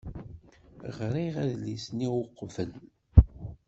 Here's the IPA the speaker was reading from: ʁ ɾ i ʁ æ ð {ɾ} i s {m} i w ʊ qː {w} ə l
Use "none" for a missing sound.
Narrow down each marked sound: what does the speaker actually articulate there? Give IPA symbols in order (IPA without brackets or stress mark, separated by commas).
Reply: l, n, v